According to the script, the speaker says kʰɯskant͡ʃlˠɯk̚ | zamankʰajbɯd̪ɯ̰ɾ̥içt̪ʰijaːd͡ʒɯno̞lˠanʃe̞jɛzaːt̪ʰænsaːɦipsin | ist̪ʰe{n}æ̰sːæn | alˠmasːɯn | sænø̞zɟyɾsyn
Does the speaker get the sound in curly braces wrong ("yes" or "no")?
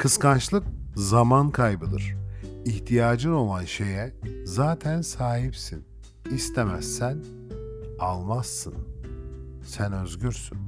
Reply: yes